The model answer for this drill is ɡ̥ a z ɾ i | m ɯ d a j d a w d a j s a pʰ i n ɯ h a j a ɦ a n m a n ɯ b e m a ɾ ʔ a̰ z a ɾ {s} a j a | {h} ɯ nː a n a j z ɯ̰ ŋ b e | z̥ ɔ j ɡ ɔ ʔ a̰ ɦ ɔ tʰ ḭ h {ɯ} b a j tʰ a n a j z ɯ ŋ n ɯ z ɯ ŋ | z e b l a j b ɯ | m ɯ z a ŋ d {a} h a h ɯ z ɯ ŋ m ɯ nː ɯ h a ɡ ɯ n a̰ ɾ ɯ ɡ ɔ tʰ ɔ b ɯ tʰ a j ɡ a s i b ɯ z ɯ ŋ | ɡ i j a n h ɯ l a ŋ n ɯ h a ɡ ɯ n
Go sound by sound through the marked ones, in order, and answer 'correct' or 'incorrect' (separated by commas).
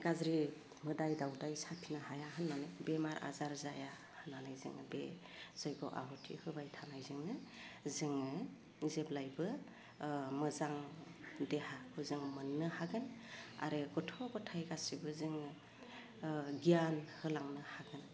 incorrect, correct, correct, incorrect